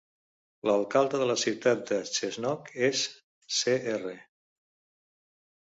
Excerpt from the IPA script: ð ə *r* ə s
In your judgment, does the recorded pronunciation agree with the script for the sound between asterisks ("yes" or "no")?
no